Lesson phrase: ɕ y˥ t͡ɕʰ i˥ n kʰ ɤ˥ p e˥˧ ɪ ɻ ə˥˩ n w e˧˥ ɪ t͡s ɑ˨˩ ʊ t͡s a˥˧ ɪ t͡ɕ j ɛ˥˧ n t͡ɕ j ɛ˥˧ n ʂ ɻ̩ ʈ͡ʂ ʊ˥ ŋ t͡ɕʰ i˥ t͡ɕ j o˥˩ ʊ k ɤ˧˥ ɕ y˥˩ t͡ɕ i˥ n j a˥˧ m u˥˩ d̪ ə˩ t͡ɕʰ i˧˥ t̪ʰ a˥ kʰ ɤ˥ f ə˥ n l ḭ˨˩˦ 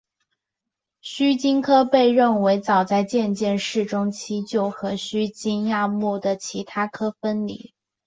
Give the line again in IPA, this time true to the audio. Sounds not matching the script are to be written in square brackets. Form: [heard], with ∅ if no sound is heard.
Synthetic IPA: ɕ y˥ [t͡ɕ] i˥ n kʰ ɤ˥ p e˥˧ ɪ ɻ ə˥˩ n w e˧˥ ɪ t͡s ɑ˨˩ ʊ t͡s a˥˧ ɪ t͡ɕ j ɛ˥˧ n t͡ɕ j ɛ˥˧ n ʂ ɻ̩ ʈ͡ʂ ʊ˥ ŋ t͡ɕʰ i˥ t͡ɕ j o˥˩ ʊ [x] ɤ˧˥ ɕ [y˥] t͡ɕ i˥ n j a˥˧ m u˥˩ d̪ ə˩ t͡ɕʰ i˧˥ t̪ʰ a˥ kʰ ɤ˥ f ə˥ n l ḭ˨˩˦